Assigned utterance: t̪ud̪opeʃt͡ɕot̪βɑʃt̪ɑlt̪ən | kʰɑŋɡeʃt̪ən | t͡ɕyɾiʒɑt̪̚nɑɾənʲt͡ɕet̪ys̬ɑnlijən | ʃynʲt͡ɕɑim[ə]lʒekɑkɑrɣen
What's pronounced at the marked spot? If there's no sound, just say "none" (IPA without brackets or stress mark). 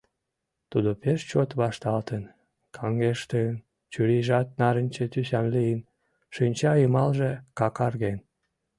ɑ